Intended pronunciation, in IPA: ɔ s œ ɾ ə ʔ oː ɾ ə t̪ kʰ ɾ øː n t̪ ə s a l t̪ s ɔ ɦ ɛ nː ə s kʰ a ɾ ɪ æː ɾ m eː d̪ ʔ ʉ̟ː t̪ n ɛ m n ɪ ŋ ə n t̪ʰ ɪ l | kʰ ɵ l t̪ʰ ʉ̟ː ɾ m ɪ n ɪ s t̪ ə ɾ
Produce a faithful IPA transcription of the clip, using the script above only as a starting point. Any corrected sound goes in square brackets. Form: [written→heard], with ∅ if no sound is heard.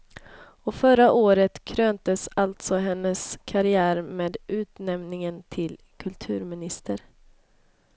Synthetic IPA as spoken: ɔ [s→f] œ ɾ [ə→a] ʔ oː ɾ ə t̪ kʰ ɾ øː n t̪ ə s a l t̪ s ɔ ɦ ɛ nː ə s kʰ a ɾ ɪ æː ɾ m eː d̪ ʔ ʉ̟ː t̪ n ɛ m n ɪ ŋ ə n t̪ʰ ɪ l | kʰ ɵ l t̪ʰ ʉ̟ː ɾ m ɪ n ɪ s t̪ ə ɾ